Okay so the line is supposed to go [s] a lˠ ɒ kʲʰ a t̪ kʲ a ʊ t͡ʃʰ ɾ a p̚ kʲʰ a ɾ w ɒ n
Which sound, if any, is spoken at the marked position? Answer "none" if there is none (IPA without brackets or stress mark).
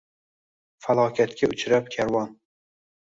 f